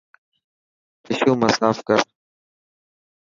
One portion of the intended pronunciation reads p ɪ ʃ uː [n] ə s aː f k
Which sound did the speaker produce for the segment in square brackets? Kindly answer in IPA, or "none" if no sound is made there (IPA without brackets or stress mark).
m